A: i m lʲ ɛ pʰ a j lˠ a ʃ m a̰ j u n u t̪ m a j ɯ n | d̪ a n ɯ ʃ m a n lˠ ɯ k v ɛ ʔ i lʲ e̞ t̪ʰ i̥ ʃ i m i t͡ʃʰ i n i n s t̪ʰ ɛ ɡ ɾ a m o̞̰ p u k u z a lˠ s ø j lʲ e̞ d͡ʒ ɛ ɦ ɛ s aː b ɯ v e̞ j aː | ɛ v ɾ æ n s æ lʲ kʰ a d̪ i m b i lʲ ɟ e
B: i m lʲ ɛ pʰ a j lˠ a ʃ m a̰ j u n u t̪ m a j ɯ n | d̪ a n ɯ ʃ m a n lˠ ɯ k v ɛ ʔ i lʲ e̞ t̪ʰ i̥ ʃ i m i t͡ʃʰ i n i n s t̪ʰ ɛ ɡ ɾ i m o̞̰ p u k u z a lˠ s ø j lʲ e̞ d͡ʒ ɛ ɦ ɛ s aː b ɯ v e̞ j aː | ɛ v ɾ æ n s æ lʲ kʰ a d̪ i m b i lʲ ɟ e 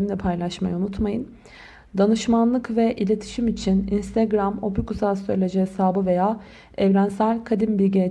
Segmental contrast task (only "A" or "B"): A